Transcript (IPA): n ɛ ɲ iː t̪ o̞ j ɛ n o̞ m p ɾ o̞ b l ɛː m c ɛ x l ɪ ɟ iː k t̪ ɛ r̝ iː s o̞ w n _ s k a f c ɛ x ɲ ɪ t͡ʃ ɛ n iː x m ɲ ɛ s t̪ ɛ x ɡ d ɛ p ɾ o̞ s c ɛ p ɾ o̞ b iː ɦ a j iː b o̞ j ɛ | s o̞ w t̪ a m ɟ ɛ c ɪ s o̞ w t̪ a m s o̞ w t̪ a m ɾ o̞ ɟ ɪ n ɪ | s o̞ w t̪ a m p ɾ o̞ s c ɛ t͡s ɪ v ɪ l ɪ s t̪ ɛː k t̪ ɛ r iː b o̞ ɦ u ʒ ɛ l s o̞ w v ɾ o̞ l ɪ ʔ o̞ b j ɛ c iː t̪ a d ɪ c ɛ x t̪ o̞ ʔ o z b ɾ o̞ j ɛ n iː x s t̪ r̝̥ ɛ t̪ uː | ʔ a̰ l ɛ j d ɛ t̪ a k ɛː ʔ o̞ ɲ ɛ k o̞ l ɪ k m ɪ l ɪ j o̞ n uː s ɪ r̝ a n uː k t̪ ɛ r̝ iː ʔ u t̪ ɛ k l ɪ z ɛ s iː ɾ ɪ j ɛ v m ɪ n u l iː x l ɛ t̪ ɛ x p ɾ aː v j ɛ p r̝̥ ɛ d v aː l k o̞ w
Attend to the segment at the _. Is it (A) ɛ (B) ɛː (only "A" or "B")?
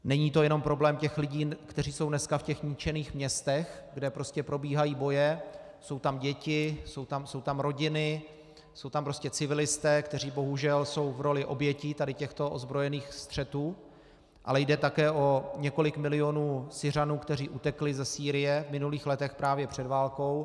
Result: A